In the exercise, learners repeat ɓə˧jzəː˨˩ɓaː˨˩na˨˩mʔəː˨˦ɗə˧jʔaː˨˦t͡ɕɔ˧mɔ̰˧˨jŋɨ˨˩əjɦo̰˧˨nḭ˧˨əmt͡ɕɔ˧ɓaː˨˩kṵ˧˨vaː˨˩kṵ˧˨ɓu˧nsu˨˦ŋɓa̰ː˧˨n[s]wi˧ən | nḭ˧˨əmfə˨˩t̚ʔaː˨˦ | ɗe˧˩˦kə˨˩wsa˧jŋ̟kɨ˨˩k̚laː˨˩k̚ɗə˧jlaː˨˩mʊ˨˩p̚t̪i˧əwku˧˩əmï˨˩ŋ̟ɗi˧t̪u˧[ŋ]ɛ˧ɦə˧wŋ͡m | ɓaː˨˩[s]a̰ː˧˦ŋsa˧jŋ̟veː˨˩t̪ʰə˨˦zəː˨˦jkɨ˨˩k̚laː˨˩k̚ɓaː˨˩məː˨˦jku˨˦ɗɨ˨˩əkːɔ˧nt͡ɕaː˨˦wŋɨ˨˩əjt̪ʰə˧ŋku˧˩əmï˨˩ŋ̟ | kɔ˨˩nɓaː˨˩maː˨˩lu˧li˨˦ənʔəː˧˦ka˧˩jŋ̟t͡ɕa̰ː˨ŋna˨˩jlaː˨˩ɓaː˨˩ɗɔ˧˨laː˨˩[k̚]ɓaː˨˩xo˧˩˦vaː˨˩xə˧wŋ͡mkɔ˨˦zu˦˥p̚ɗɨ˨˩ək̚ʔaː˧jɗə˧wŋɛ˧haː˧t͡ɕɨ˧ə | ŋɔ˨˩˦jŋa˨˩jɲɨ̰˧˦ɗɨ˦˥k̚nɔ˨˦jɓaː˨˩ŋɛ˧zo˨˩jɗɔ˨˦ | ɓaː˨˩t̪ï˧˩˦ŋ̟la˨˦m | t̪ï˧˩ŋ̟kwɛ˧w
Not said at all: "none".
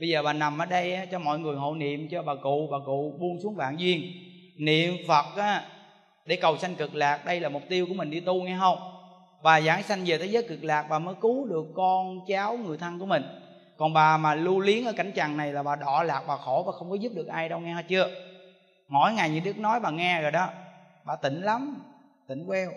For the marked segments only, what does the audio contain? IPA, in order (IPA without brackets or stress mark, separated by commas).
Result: z, ŋ, z, k̚